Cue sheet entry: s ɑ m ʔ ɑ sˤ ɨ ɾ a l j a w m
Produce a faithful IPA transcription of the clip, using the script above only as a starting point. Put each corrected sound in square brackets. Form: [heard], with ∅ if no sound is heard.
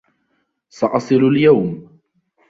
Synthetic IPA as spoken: s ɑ [∅] ʔ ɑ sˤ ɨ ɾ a l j a w m